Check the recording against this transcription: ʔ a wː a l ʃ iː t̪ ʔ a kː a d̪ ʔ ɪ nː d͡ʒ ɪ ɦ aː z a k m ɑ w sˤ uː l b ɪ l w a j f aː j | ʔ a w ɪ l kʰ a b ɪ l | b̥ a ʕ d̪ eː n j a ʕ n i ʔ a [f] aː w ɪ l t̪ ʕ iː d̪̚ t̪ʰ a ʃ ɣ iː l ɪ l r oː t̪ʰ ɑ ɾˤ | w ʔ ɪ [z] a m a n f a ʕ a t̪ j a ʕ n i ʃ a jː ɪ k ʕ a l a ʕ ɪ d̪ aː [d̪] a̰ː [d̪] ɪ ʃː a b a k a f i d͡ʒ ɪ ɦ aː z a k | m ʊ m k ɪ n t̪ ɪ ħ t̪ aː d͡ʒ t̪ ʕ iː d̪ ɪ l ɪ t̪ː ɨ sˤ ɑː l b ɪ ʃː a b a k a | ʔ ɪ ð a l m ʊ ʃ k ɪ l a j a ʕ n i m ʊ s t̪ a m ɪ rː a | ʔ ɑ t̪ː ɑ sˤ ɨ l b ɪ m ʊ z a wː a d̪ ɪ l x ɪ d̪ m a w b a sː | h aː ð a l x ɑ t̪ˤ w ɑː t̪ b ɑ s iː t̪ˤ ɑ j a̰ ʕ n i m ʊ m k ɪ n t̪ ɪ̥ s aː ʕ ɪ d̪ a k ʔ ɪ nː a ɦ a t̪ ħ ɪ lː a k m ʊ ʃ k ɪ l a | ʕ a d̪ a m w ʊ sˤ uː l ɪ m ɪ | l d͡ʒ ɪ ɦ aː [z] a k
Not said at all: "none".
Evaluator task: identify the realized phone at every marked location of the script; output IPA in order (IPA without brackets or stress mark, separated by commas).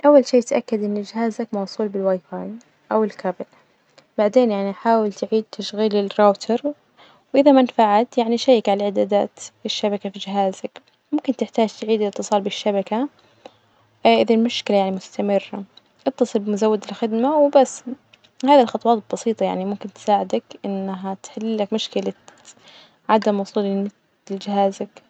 ħ, ð, d̪, t̪, z